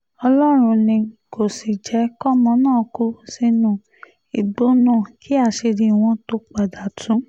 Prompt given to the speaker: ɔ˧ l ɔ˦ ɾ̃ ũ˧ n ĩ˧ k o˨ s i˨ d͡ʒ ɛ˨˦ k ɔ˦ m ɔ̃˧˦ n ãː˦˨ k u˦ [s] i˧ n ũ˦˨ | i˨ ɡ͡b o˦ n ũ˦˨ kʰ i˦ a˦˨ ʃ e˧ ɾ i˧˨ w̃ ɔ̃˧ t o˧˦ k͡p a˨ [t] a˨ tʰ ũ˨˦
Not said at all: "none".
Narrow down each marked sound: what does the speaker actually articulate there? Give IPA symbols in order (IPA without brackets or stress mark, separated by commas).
s, d